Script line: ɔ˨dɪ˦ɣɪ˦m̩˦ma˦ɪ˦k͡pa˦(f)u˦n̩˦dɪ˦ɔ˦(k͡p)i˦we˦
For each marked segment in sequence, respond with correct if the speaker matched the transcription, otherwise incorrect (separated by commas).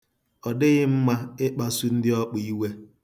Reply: incorrect, correct